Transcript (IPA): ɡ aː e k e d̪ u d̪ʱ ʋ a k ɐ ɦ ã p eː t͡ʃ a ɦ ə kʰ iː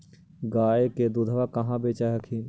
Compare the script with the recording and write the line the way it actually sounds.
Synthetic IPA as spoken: ɡ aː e k e d̪ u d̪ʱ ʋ a k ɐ ɦ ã b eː t͡ʃ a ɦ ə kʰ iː

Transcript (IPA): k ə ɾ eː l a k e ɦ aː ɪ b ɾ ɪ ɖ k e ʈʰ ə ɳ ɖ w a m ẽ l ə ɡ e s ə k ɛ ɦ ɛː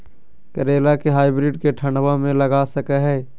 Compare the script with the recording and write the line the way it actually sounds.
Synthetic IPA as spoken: k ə ɾ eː l a k e ɦ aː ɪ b ɾ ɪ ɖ k e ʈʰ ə ɳ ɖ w a m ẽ l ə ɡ a s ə k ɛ ɦ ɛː

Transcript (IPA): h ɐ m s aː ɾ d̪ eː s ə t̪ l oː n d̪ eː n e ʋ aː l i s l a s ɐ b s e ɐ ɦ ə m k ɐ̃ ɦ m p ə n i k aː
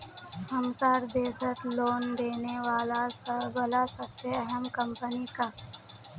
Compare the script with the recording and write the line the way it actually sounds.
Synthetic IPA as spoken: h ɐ m s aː ɾ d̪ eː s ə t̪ l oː n d̪ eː n e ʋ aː l a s l a s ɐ b s e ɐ ɦ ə m k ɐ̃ m p ə n i k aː

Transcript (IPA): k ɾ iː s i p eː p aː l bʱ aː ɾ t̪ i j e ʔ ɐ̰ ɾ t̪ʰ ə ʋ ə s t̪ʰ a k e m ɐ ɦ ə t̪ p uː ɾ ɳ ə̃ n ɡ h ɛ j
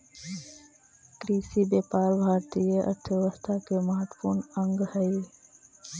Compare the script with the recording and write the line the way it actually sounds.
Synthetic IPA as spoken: k ɾ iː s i b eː p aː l bʱ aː ɾ t̪ i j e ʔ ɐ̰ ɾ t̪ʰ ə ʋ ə s t̪ʰ a k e m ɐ ɦ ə t̪ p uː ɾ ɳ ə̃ ŋ ɡ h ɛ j

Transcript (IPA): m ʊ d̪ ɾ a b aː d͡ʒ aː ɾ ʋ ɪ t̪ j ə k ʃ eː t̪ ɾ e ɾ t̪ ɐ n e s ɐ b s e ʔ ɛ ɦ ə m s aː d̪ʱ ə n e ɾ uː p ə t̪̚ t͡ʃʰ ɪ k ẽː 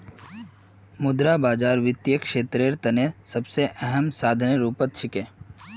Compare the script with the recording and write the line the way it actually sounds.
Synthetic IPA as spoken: m ʊ d̪ ɾ a b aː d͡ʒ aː ɾ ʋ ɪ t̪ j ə k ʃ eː t̪ ɾ e ɾ t̪ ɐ n e s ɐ b s e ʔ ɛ ɦ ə m s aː d̪ʱ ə n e ɾ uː p ə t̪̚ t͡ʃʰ ɪ k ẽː

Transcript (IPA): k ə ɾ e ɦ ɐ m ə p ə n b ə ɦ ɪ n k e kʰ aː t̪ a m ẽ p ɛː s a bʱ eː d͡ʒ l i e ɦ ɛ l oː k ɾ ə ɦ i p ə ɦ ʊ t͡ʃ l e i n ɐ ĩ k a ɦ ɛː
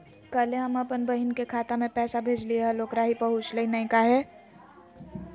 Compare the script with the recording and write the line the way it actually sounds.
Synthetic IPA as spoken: k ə l e ɦ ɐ m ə p ə n b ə ɦ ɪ n k e kʰ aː t̪ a m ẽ p ɛː s a bʱ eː d͡ʒ l i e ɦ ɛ l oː k ɾ a ɦ i p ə ɦ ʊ t͡ʃ l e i n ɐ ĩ k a ɦ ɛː

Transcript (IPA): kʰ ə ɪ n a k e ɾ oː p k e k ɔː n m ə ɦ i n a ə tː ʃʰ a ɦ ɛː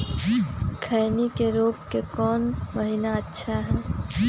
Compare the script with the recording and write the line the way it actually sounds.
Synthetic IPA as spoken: kʰ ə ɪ n i k e ɾ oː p k e k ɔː n m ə ɦ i n a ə tː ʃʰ a ɦ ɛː

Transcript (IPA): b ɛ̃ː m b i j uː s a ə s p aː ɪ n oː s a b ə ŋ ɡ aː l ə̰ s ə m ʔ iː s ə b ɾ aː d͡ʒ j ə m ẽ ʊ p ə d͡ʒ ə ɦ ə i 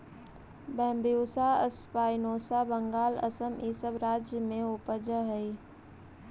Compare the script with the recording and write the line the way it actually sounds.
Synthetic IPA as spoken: b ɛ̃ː m b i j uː s a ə s p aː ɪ n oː s a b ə ŋ ɡ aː l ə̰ s ə m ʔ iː s ə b ɾ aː d͡ʒ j ə m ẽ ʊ p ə d͡ʒ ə ɦ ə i

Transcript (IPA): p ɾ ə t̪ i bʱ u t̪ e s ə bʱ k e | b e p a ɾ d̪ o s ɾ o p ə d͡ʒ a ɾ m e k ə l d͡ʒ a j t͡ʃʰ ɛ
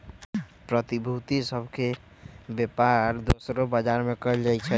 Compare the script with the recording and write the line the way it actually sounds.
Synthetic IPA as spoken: p ɾ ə t̪ i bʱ u t̪ i s ə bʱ k e | b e p a ɾ d̪ o s ɾ o b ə d͡ʒ a ɾ m e k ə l d͡ʒ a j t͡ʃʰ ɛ

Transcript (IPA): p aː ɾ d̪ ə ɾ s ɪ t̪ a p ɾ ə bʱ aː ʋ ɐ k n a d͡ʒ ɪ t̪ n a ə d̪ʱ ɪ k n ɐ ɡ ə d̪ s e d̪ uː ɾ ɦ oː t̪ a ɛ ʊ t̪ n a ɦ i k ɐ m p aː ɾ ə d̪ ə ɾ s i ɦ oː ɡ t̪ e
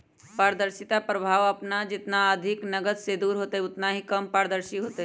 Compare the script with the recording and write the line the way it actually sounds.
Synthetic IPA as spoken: p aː ɾ d̪ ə ɾ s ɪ t̪ a p ɾ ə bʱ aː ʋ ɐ p n a d͡ʒ ɪ t̪ n a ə d̪ʱ ɪ k n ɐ ɡ ə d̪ s e d̪ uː ɾ ɦ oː t̪ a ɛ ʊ t̪ n a ɦ i k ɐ m p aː ɾ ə d̪ ə ɾ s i ɦ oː t̪ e

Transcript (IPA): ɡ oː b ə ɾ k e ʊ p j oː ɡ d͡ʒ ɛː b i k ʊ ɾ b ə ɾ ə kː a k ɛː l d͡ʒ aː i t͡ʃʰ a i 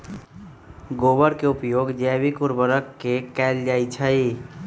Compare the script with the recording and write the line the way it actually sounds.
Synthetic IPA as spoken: ɡ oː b ə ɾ k e ʊ p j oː ɡ d͡ʒ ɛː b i k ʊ ɾ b ə ɾ ə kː e k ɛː l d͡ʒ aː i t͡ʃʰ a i

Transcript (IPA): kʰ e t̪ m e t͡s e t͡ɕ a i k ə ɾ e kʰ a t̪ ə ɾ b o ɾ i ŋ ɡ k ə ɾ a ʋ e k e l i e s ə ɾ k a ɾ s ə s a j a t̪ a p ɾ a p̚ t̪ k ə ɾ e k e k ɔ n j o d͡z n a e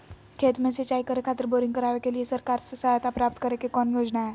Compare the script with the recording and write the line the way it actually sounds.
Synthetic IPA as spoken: kʰ e t̪ m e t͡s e t͡ɕ a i k ə ɾ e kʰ a t̪ ə ɾ b o ɾ i ŋ ɡ k ə ɾ a ʋ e k e l i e s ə ɾ k a ɾ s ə s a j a t̪ a p ɾ a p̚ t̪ k ə ɾ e k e k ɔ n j o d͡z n a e

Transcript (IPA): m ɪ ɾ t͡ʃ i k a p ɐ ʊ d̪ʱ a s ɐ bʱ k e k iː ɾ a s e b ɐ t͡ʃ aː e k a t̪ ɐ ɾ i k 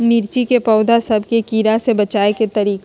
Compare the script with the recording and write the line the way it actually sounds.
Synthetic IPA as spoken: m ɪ ɾ t͡ʃ i k e p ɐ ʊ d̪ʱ a s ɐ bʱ k e k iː ɾ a s e b ɐ t͡ʃ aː e k e t̪ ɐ ɾ iː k

